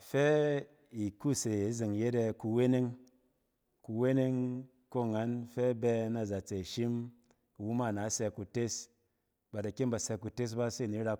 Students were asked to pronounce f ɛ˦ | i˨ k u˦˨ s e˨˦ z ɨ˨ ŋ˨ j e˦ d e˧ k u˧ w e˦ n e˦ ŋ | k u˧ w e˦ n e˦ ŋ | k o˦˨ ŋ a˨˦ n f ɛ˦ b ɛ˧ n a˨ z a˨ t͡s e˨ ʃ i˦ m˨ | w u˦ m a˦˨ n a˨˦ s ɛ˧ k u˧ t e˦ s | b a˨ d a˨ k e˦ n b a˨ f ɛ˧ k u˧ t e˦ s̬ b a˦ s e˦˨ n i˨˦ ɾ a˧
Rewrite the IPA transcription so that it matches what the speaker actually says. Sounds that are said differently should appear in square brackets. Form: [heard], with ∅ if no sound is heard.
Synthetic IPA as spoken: f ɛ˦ | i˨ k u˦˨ s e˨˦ z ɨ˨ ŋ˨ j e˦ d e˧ k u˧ w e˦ n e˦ ŋ | k u˧ w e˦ n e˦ ŋ | k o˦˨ ŋ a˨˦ n f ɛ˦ b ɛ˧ n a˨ z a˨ t͡s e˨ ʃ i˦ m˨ | w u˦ m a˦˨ n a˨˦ s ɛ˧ k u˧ t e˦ s | b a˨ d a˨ k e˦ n b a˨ [s] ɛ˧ k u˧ t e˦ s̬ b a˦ s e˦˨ n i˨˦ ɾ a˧